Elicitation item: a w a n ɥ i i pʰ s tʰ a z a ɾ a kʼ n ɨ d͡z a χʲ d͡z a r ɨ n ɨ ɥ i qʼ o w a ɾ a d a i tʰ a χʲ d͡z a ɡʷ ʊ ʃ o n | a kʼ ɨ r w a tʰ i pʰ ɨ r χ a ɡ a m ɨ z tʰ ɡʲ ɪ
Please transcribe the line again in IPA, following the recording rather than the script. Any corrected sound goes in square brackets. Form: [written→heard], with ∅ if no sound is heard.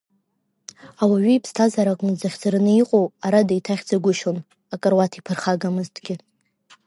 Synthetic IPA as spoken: a w a [n→∅] ɥ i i pʰ s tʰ a z a ɾ a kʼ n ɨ d͡z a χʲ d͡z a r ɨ n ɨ [ɥ→∅] i qʼ o w a ɾ a d a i tʰ a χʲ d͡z a ɡʷ ʊ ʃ o n | a kʼ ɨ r w a tʰ i pʰ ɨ r χ a ɡ a m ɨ z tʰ ɡʲ ɪ